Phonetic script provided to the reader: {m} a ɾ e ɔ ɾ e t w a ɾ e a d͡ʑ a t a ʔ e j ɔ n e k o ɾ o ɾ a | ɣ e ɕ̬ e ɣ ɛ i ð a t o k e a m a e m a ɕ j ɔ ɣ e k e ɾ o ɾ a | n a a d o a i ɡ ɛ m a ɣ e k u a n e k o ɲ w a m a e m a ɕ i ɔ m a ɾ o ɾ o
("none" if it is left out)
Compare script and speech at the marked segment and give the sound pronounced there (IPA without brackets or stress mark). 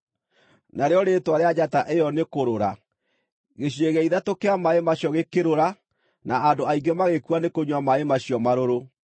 n